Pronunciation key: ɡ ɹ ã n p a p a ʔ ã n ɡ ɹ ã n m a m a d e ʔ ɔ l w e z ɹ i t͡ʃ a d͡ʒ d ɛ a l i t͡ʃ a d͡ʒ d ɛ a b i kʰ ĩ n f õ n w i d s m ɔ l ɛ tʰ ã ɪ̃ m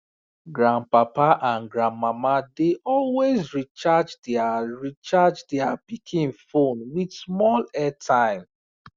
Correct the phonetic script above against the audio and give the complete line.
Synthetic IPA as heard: ɡ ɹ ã n p a p a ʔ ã n ɡ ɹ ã n m a m a d e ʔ ɔ l w e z ɹ i t͡ʃ a d͡ʒ d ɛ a ɹ i t͡ʃ a d͡ʒ d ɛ a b i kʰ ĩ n f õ n w i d s m ɔ l ɛ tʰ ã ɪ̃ m